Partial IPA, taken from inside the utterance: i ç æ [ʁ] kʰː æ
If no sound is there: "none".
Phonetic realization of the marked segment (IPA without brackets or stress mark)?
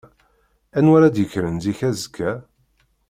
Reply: z